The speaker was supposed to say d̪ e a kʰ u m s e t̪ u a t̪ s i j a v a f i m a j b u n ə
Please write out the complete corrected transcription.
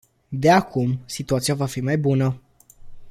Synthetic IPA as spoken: d̪ e a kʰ u m s i t̪ u a t̪ s i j a v a f i m a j b u n ə